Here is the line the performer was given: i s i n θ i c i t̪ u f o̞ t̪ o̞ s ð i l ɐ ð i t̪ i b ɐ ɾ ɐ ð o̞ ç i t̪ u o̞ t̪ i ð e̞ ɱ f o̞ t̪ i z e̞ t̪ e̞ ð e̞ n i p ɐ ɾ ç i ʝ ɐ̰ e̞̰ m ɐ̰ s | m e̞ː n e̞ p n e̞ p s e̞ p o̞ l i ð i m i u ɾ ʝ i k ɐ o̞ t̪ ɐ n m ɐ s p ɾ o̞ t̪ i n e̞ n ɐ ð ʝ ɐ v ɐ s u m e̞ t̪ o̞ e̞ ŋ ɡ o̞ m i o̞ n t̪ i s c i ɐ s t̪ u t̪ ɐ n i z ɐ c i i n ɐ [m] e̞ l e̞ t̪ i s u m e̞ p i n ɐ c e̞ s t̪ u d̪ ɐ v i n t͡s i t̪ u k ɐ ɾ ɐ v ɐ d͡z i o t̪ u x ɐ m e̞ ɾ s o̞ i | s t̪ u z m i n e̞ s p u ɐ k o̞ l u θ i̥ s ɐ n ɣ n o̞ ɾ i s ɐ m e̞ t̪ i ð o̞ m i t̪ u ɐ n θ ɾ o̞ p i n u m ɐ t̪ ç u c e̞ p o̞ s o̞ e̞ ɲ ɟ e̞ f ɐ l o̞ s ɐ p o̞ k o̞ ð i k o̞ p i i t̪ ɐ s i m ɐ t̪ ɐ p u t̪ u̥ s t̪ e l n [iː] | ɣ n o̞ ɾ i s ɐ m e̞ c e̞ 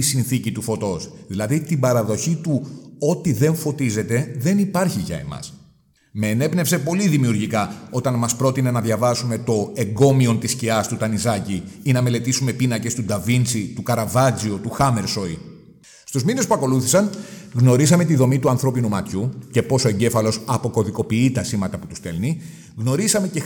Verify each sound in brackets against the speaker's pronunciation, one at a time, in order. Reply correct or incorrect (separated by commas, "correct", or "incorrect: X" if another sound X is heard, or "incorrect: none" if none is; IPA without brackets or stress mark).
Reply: correct, incorrect: i